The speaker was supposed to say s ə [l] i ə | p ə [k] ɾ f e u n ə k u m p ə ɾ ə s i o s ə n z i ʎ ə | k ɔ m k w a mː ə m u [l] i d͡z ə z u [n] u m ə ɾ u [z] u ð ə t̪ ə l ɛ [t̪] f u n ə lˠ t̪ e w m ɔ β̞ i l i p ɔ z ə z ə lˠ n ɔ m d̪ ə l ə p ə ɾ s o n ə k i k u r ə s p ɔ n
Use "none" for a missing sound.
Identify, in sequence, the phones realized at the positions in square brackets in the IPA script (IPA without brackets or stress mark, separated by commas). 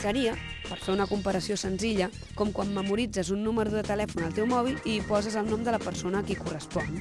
ɾ, none, ɾ, nː, ð, none